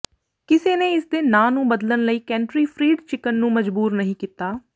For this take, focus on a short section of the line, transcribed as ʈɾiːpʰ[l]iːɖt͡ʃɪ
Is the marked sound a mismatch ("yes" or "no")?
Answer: yes